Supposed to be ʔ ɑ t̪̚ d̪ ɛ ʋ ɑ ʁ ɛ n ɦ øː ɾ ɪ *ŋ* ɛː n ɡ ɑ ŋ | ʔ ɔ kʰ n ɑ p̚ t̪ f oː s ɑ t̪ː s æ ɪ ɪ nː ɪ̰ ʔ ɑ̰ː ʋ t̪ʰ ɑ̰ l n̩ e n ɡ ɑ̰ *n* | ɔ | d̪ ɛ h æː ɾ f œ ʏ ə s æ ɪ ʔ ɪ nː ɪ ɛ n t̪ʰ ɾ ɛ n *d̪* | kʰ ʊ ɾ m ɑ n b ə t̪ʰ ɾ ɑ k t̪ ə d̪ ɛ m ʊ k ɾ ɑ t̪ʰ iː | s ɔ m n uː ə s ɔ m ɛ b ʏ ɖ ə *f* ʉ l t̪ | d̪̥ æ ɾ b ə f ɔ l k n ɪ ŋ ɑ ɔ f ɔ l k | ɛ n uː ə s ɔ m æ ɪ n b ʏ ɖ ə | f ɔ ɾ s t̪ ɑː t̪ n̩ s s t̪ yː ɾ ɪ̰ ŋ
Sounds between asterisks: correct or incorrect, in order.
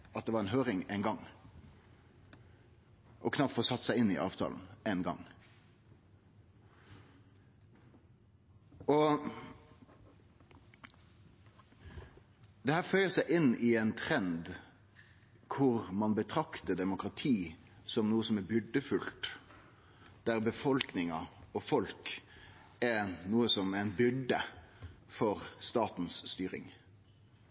correct, incorrect: ŋ, correct, correct

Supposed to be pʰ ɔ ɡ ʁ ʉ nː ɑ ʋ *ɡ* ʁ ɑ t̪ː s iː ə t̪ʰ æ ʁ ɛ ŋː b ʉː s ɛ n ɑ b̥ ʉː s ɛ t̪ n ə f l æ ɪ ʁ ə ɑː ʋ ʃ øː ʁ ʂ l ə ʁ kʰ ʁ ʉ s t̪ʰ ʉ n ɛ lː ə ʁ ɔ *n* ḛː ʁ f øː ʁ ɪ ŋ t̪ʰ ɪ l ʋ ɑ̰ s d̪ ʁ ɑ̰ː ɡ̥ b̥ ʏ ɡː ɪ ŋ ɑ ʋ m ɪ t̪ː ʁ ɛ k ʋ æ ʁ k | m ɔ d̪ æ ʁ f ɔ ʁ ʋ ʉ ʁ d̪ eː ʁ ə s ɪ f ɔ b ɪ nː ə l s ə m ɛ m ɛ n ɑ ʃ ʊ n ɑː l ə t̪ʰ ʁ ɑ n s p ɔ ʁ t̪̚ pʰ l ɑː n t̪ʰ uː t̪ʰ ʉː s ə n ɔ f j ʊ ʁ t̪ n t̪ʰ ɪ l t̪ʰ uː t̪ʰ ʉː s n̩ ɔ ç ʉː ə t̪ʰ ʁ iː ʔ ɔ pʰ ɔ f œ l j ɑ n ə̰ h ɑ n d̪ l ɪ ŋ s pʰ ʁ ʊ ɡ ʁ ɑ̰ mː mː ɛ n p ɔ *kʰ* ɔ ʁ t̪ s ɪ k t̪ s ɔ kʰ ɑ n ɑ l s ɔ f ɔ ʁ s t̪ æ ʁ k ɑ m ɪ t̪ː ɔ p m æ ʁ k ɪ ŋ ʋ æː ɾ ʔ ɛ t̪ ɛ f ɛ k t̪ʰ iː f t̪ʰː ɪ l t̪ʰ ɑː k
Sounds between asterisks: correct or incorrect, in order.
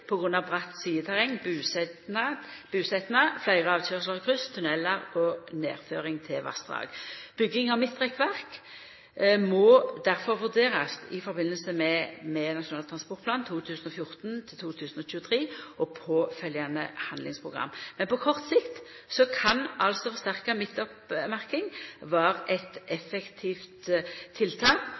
incorrect: b, correct, correct

